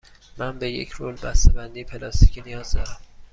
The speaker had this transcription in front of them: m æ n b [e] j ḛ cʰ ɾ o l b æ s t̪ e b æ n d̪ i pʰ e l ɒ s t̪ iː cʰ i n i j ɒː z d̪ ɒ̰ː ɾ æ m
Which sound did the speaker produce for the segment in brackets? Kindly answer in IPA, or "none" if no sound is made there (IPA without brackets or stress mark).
e